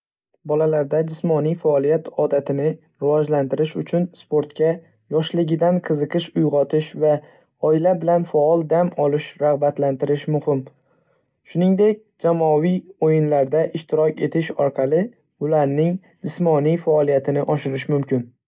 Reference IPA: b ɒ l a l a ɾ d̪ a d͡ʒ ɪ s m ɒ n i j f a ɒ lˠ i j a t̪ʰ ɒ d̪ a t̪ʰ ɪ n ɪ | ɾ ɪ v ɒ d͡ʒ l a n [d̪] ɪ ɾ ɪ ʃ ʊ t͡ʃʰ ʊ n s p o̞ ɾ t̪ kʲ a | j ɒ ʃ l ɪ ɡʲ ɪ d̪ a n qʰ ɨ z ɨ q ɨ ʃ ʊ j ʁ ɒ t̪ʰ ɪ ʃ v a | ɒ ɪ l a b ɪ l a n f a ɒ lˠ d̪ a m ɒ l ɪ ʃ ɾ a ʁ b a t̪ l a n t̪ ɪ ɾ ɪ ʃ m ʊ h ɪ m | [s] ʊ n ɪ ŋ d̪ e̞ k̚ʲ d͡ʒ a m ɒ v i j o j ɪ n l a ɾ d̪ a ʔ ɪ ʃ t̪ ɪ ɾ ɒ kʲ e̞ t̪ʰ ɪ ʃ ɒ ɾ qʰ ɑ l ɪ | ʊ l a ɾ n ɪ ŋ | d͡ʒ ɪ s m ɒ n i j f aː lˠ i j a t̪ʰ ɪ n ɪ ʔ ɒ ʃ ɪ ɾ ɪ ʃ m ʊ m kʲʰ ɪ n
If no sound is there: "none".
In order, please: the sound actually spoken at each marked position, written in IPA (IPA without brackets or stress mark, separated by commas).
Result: t̪, ʃ